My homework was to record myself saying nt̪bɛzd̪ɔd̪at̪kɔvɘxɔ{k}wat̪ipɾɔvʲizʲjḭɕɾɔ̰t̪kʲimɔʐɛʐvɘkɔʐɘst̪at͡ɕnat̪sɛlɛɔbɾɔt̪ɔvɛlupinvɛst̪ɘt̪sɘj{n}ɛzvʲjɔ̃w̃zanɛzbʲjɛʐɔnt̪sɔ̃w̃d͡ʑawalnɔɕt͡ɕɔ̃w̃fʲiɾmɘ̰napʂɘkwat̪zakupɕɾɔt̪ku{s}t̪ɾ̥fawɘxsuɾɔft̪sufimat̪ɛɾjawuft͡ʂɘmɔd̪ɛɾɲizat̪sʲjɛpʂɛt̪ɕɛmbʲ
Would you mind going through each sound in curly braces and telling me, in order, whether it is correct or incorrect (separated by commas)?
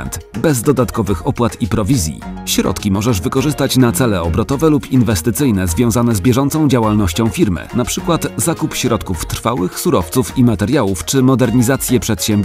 incorrect, correct, incorrect